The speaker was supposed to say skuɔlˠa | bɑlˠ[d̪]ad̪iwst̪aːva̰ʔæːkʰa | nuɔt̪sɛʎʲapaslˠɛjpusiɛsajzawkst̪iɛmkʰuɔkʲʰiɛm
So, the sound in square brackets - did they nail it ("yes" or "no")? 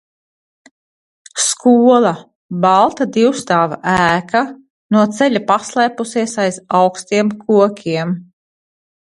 no